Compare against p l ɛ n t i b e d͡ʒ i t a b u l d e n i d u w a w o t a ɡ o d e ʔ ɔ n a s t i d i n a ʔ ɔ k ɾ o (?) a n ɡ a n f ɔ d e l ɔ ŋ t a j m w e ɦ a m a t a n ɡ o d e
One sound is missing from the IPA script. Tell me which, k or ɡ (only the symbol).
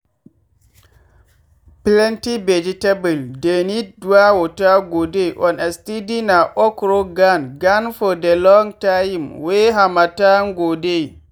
ɡ